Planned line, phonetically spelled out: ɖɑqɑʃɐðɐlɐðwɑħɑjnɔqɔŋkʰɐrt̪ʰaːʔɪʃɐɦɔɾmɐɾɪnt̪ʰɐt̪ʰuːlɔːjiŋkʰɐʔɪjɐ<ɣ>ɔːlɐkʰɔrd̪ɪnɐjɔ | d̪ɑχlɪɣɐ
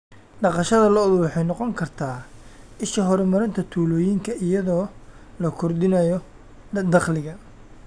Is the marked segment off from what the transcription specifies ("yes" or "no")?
yes